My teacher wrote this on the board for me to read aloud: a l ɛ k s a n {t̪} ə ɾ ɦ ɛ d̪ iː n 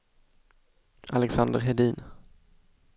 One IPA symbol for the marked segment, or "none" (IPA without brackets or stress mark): d̪